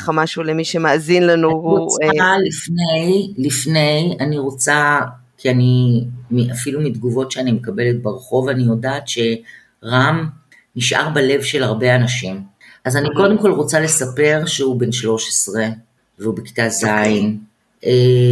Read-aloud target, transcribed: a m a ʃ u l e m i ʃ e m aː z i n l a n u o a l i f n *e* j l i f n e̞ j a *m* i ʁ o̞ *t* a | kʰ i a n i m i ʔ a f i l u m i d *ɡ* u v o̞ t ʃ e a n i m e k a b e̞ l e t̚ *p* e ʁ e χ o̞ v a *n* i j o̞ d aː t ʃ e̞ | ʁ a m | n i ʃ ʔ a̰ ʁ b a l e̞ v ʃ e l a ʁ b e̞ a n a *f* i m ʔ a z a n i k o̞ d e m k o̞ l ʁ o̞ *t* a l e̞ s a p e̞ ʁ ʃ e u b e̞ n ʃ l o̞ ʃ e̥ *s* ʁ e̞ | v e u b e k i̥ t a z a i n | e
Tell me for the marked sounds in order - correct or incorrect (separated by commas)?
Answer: correct, incorrect, incorrect, correct, incorrect, correct, incorrect, incorrect, correct